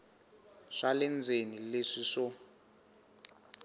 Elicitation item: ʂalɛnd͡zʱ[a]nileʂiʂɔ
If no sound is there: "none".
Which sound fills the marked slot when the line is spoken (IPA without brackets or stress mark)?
e